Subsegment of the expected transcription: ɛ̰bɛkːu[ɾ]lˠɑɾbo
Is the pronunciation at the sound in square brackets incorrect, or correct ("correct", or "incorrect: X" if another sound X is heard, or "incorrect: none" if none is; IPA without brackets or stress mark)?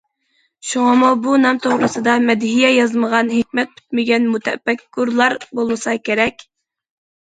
correct